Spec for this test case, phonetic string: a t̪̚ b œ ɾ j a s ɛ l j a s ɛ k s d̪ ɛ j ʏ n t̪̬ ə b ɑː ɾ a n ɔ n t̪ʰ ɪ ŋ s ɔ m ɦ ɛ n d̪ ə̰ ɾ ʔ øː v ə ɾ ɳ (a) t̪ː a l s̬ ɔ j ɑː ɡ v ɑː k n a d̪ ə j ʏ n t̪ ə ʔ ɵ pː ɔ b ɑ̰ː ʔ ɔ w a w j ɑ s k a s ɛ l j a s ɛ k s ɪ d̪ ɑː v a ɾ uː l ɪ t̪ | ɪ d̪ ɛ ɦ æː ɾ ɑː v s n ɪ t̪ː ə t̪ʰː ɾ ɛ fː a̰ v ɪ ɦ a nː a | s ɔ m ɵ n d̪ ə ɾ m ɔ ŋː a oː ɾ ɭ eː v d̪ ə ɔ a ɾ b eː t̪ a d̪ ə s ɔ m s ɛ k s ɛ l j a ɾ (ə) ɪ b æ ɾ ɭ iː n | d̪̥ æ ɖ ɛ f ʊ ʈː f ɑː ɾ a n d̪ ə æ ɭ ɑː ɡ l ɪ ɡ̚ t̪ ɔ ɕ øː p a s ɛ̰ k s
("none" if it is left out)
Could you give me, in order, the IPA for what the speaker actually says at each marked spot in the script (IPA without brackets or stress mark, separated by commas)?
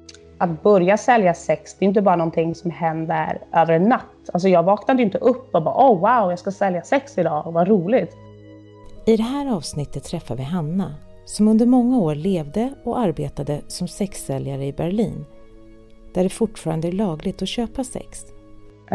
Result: a, ə